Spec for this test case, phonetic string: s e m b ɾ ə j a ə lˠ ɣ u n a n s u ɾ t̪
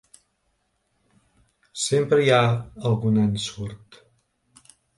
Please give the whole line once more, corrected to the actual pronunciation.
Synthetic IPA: s e m p ɾ ə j a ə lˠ ɣ u n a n s u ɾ t̪